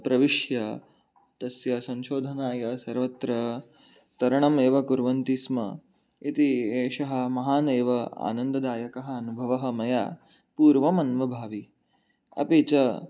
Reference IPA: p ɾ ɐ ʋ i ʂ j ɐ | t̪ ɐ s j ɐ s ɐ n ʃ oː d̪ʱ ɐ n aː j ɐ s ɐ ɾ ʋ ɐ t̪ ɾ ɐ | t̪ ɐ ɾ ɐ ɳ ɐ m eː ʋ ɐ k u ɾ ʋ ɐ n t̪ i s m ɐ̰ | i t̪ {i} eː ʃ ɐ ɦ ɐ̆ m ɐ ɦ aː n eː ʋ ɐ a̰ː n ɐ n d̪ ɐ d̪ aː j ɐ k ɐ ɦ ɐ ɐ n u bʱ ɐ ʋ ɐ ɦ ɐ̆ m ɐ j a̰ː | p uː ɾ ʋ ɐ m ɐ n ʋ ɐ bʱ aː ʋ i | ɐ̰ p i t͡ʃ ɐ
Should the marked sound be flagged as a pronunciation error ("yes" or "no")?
no